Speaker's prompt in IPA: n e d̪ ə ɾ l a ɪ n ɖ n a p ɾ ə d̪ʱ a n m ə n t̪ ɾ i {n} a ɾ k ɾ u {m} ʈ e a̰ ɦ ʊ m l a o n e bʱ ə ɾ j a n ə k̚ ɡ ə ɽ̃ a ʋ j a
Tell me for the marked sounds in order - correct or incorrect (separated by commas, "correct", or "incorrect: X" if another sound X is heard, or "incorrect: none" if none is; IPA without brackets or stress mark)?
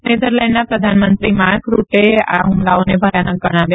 incorrect: m, incorrect: none